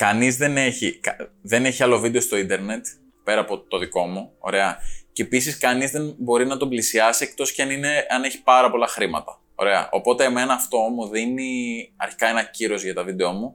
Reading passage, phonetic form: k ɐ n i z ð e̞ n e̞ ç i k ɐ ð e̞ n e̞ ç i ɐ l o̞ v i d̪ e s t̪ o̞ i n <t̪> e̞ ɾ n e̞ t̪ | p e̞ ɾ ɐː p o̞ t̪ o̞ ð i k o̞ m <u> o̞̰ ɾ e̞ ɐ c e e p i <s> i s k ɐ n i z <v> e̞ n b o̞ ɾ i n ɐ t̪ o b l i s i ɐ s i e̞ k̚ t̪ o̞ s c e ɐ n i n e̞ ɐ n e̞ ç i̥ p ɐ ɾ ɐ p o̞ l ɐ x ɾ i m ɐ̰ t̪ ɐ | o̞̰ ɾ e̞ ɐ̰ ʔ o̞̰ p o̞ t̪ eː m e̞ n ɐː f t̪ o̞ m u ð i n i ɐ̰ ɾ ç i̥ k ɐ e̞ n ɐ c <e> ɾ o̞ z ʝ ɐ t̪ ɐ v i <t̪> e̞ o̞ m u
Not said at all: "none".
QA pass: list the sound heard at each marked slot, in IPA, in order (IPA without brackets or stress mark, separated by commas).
d̪, u, s, ð, i, d̪